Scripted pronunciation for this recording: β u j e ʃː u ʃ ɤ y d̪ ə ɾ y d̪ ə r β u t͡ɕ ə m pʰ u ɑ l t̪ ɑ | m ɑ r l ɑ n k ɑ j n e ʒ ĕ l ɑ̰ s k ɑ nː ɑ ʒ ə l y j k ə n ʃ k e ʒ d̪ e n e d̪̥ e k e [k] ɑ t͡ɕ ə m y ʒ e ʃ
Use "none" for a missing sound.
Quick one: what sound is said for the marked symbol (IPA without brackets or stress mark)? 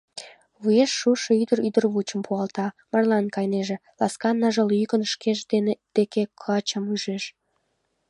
kʰ